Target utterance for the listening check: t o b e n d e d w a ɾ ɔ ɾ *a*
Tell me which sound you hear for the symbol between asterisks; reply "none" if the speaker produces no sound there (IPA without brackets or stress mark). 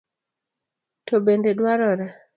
a